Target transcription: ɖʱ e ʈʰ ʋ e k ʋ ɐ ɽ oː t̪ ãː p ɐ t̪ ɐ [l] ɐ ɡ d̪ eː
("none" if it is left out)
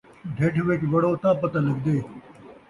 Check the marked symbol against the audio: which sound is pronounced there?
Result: l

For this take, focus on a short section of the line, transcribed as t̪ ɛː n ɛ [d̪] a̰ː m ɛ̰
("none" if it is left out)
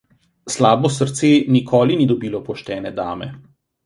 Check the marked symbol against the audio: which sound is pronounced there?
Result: d̪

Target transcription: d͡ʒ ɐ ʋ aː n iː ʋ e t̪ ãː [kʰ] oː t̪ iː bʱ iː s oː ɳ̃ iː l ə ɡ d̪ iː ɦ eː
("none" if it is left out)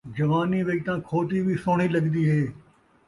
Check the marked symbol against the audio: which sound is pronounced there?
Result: kʰ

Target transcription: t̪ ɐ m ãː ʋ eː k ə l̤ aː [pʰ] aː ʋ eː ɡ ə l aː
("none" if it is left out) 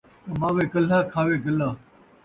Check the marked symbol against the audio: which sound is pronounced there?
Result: kʰ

